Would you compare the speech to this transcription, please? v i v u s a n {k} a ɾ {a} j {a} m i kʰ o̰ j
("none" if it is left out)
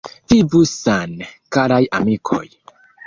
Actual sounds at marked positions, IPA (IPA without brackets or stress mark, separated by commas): k, a, a